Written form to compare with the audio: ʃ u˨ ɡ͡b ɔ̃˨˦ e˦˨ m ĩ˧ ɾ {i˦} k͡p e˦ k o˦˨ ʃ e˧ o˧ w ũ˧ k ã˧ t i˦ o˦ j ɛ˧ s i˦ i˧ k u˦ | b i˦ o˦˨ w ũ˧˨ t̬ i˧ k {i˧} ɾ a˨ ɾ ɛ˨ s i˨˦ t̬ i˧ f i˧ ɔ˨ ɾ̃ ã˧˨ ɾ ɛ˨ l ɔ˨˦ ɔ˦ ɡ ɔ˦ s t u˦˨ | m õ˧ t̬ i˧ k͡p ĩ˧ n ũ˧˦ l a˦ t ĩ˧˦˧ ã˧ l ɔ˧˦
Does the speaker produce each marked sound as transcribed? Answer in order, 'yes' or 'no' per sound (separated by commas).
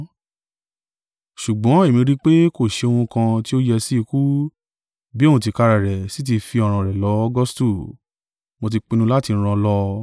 yes, no